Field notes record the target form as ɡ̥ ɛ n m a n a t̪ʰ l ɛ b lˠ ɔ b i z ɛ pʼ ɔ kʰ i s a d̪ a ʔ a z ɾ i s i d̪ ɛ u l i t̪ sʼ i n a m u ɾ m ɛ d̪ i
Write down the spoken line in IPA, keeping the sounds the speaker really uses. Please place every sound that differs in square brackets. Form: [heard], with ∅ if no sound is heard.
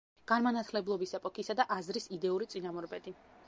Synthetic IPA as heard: ɡ̥ [a] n m a n a t̪ʰ l ɛ b lˠ ɔ b i [s] ɛ pʼ ɔ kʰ i s a d̪ a ʔ a z ɾ i s i d̪ ɛ u [ɾ] i t̪ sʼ i n a m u ɾ [b] ɛ d̪ i